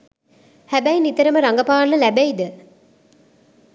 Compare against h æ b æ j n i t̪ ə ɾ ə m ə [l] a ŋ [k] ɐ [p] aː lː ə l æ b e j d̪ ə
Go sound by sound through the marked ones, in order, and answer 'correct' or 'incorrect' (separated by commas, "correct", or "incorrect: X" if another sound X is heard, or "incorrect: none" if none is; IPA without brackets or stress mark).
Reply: incorrect: ɾ, incorrect: ɡ, correct